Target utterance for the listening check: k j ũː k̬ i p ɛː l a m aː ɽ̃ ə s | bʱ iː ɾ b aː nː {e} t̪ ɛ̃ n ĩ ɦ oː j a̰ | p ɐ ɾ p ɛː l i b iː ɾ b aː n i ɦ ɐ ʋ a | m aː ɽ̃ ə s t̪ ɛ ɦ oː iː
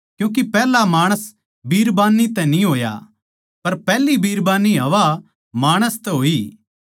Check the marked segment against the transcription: incorrect: i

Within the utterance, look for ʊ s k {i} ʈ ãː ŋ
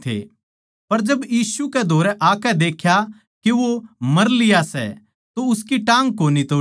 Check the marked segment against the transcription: correct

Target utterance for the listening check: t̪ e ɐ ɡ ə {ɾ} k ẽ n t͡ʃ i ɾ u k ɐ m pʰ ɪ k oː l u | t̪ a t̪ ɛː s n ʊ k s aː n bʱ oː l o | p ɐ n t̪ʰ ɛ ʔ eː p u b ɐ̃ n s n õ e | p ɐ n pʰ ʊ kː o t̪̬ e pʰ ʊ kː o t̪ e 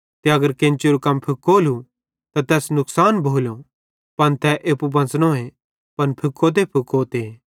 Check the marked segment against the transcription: correct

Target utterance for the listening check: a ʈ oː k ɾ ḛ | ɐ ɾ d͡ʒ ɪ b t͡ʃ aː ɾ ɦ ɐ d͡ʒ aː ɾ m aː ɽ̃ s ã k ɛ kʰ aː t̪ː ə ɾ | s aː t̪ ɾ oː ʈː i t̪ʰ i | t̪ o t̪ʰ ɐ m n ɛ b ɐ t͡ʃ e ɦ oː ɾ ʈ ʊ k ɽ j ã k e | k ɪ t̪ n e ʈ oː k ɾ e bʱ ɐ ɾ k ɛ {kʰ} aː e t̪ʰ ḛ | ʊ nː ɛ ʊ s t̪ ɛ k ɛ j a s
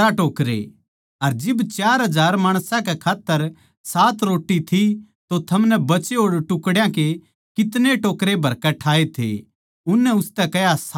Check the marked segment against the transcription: incorrect: ʈʰ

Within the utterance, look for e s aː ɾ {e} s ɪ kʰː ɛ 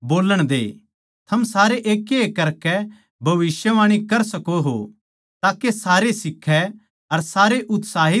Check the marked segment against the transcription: correct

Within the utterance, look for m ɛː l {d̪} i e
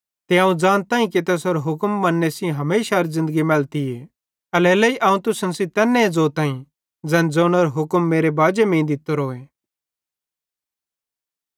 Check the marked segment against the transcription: incorrect: t̪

